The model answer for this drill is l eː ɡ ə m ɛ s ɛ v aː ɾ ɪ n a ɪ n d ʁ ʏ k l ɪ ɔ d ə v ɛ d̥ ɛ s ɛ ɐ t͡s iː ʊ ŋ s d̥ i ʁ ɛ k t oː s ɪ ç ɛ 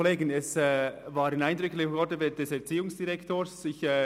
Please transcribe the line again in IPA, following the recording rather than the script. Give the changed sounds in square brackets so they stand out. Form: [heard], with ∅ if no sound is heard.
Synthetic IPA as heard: l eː ɡ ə [n] ɛ s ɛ v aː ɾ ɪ n a ɪ n d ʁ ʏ k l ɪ ɔ d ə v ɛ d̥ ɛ s ɛ ɐ t͡s iː ʊ ŋ s d̥ i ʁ ɛ k t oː s ɪ ç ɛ